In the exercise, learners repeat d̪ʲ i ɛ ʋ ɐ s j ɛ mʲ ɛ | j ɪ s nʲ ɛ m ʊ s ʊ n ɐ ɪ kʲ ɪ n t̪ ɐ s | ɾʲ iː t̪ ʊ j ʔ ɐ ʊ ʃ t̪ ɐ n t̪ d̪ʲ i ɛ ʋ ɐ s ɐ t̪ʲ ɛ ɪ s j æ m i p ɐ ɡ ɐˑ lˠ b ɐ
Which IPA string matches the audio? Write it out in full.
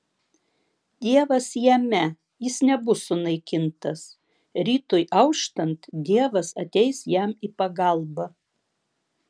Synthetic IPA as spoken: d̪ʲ i ɛ ʋ ɐ s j ɛ mʲ ɛ | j ɪ s nʲ ɛ b ʊ s ʊ n ɐ ɪ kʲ ɪ n t̪ ɐ s | ɾʲ iː t̪ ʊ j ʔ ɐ ʊ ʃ t̪ ɐ n t̪ d̪ʲ i ɛ ʋ ɐ s ɐ t̪ʲ ɛ ɪ s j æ m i p ɐ ɡ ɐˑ lˠ b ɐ